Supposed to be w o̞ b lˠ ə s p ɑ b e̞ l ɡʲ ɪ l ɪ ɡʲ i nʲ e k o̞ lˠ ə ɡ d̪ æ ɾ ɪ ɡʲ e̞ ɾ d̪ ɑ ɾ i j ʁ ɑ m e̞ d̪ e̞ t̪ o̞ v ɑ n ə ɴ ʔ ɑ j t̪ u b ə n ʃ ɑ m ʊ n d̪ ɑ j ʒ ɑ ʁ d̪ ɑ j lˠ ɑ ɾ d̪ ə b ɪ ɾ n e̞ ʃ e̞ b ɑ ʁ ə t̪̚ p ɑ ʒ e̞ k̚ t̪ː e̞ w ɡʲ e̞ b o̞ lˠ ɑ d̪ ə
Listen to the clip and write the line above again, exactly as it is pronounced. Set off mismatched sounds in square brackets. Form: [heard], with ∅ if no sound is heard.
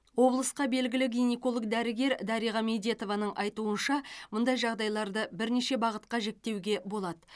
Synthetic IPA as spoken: w o̞ b lˠ ə s [q] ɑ b e̞ l ɡʲ ɪ l ɪ ɡʲ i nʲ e k o̞ lˠ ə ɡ d̪ æ ɾ ɪ ɡʲ e̞ ɾ d̪ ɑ ɾ i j ʁ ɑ m e̞ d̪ e̞ t̪ o̞ v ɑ n ə ɴ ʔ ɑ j t̪ u [∅] ə n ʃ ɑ m ʊ n d̪ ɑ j ʒ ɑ ʁ d̪ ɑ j lˠ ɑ ɾ d̪ ə b ɪ ɾ n e̞ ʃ e̞ b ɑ ʁ ə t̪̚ [q] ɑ ʒ e̞ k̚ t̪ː e̞ w ɡʲ e̞ b o̞ lˠ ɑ d̪ ə